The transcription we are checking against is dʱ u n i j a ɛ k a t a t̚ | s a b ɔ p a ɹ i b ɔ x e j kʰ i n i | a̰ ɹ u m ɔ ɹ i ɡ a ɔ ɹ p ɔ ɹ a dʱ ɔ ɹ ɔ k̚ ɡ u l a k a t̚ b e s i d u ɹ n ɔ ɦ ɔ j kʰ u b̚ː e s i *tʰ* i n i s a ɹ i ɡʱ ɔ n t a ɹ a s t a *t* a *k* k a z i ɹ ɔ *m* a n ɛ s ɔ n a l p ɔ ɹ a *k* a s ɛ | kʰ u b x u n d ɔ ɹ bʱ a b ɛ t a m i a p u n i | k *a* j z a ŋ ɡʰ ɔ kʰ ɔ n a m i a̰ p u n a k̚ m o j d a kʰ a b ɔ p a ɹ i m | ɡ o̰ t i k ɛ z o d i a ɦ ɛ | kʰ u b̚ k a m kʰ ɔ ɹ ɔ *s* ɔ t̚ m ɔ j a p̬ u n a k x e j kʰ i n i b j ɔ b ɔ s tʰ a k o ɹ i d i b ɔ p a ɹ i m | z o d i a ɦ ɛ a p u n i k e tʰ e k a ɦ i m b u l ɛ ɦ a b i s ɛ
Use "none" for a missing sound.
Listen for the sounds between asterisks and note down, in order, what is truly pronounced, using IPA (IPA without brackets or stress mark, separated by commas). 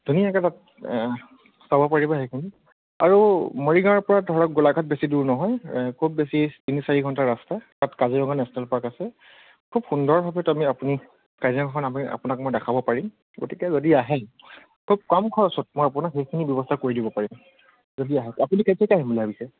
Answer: t, t, t, ŋ, k, a, s